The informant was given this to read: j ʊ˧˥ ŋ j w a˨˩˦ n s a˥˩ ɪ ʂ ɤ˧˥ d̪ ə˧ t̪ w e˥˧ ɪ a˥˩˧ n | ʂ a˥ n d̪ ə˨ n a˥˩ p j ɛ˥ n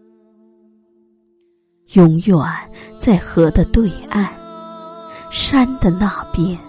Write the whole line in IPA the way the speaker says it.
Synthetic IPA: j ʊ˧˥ ŋ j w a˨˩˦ n t͡s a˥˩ ɪ x ɤ˧˥ d̪ ə˧ t̪ w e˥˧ ɪ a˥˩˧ n | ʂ a˥ n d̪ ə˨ n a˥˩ p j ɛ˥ n